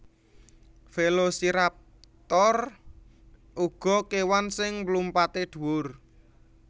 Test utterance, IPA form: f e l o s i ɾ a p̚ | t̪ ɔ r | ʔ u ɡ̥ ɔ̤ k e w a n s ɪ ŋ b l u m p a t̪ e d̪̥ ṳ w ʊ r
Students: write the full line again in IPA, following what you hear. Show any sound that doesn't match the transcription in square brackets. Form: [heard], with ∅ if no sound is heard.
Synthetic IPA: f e l o s i ɾ a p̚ | t̪ ɔ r | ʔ u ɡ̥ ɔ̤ k e w a n s ɪ ŋ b l u m p a t̪ e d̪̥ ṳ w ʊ r